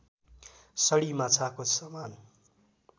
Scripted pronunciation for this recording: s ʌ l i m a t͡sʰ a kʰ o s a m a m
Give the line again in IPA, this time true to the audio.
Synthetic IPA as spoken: s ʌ ɽ i m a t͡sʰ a k o s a m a n